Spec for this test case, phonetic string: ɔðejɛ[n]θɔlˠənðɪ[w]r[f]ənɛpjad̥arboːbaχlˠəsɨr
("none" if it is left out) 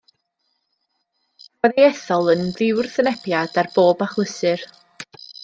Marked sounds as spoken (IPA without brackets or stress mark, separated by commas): none, w, θ